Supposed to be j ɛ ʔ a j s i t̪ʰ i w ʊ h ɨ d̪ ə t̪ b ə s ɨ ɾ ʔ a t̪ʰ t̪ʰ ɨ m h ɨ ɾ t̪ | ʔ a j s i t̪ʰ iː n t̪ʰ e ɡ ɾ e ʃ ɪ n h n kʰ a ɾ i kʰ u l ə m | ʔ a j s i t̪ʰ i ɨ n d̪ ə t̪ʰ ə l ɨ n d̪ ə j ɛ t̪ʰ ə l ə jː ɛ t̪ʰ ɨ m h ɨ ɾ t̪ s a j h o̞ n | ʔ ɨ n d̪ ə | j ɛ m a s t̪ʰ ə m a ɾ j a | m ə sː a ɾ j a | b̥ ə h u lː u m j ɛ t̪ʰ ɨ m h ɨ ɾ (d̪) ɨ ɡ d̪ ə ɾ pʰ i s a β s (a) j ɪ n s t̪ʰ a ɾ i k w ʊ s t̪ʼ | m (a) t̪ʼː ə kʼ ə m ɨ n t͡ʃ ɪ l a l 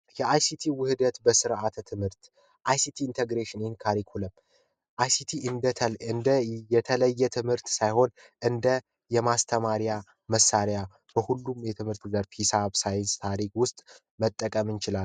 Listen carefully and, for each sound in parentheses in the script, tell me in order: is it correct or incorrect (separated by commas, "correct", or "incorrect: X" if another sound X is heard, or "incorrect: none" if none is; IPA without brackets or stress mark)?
incorrect: t̪, correct, incorrect: ə